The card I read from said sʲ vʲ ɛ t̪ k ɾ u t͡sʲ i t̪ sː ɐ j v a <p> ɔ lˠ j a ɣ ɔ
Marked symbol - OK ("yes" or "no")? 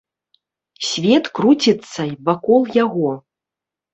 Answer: no